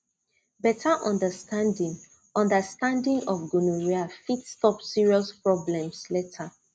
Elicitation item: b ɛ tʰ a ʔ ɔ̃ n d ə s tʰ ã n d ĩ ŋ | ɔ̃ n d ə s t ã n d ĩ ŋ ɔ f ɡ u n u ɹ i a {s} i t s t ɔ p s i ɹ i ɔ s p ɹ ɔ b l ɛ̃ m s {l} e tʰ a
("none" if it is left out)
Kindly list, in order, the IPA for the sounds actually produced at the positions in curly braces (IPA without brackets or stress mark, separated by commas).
f, l